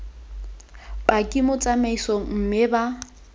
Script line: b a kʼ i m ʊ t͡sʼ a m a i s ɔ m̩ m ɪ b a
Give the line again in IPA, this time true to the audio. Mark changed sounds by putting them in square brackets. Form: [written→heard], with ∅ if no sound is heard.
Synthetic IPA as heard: b a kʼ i m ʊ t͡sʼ a m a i s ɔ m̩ m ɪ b a